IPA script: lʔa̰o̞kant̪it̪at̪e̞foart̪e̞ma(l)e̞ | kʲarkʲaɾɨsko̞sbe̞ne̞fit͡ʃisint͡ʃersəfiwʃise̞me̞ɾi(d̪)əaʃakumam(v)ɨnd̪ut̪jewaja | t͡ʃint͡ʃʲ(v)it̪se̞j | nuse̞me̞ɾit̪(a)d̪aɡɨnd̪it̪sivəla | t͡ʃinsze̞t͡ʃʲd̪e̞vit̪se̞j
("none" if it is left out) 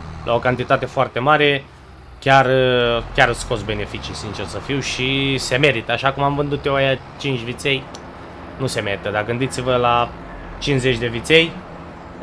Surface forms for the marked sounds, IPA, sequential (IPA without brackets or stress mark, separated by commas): ɾ, t̪, v, v, ə